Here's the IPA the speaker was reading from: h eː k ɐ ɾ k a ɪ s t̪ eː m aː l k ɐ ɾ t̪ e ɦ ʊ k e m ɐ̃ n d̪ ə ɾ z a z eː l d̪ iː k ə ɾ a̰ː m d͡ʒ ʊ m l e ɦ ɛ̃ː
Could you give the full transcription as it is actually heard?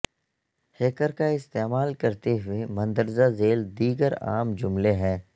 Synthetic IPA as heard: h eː k ə ɾ k a ɪ s t̪ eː m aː l k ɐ ɾ t̪ e ɦ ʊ e m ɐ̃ n d̪ ə ɾ z a z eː l d̪ iː ɡ ə ɾ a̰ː m d͡ʒ ʊ m l e ɦ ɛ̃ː